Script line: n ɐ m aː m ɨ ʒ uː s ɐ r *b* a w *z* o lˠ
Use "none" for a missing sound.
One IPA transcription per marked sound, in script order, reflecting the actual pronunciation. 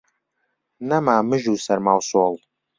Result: m, s

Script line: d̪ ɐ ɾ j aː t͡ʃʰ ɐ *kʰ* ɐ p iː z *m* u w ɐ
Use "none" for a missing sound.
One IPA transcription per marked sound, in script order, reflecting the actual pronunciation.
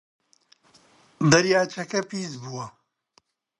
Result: k, b

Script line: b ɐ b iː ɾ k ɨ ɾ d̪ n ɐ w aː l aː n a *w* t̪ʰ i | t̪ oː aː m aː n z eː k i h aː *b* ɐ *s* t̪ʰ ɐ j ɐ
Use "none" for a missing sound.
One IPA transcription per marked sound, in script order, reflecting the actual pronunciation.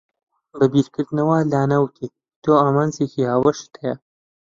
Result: w, w, ʃ

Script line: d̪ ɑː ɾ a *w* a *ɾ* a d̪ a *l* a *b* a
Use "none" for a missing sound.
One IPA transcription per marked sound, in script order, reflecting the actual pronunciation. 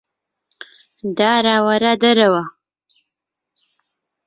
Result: w, ɾ, ɾ, w

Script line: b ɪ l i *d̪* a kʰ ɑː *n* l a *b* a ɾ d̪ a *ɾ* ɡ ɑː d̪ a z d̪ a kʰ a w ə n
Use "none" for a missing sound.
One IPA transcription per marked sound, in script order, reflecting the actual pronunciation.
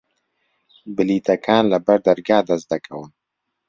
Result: t̪, n, b, ɾ

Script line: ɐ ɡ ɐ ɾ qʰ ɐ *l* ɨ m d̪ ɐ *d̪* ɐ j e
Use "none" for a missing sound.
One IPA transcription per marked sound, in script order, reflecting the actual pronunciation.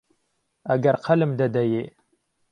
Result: l, d̪

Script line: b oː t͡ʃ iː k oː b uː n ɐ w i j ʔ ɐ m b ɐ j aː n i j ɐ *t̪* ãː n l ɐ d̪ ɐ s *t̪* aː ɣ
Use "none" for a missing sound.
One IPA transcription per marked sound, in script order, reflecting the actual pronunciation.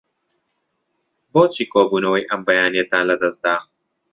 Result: t̪, d̪

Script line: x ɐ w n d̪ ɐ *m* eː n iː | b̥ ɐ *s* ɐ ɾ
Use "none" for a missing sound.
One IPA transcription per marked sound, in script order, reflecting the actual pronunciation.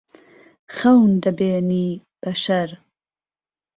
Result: b, ʃ

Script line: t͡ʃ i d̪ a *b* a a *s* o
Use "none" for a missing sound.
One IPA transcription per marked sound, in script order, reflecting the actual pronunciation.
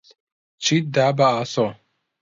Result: b, s

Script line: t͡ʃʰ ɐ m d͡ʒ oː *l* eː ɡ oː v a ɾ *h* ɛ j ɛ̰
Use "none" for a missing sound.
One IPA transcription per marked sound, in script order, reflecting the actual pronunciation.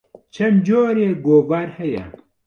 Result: ɾ, h

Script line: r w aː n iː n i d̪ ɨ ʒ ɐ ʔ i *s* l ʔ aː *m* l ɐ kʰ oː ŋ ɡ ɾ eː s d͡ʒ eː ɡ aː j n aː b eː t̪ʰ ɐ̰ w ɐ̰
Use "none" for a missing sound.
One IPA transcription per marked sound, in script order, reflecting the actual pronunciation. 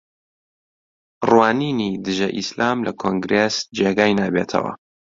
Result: s, m

